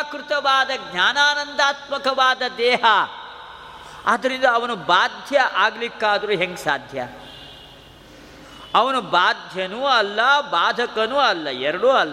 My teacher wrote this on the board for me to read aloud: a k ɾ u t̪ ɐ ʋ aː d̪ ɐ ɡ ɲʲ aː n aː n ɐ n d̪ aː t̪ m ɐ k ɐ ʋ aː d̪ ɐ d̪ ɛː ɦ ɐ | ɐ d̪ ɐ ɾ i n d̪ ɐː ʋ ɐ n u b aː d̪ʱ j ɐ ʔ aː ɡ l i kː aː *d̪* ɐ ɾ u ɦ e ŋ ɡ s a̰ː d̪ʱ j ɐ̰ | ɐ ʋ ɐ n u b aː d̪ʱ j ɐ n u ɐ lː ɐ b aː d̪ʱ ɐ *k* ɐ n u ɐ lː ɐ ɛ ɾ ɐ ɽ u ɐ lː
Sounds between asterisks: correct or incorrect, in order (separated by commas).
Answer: correct, correct